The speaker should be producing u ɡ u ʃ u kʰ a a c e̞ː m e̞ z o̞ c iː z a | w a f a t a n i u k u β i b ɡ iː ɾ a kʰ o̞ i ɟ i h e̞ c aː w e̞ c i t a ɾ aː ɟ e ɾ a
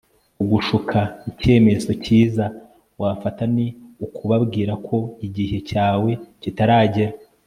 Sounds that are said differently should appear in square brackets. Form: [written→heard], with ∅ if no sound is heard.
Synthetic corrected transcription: u ɡ u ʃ u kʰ a [a→i] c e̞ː m e̞ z o̞ c iː z a | w a f a t a n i u k u β [i→a] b ɡ iː ɾ a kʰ o̞ i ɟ i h e̞ c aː w e̞ c i t a ɾ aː ɟ e ɾ a